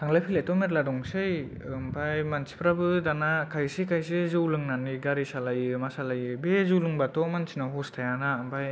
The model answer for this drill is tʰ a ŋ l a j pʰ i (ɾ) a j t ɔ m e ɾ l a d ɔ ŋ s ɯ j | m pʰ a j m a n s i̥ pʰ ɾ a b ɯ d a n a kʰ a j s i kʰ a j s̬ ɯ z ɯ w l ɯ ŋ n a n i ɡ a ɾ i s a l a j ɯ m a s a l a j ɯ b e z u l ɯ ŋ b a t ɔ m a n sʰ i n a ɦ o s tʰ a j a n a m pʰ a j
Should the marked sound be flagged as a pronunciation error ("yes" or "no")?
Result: yes